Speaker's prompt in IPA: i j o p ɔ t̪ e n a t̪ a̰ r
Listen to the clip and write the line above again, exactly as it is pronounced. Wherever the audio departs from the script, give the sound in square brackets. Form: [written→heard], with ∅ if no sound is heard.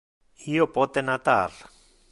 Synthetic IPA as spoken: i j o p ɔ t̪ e n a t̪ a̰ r